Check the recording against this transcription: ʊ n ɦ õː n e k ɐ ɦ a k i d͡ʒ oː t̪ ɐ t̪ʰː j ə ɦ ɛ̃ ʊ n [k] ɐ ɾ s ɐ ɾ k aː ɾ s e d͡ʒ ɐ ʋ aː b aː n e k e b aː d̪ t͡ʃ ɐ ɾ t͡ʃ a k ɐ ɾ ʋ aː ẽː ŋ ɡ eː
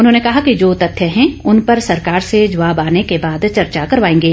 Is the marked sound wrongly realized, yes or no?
yes